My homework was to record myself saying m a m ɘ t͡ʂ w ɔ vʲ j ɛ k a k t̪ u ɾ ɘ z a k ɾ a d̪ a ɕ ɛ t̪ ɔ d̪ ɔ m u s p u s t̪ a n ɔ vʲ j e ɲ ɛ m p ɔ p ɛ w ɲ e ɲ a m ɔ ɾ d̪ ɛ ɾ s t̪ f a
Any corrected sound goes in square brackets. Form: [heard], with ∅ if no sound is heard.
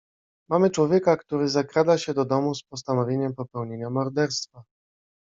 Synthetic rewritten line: m a m ɘ t͡ʂ w ɔ vʲ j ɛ k a k t̪ u ɾ ɘ z a k ɾ a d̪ a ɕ ɛ [d̪] ɔ d̪ ɔ m u s p [ɔ] s t̪ a n ɔ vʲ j e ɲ ɛ m p ɔ p ɛ w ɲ e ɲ a m ɔ ɾ d̪ ɛ ɾ s t̪ f a